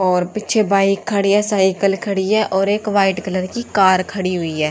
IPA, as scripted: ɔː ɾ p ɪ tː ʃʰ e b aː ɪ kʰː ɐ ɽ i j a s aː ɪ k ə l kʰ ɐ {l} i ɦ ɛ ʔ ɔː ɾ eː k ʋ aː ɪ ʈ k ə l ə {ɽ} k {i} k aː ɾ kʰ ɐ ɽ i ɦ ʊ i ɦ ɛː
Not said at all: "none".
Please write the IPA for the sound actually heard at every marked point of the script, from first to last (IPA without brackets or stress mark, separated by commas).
ɽ, ɾ, i